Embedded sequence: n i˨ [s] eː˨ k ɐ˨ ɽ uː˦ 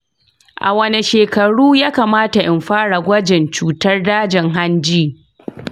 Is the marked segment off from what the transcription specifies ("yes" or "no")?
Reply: yes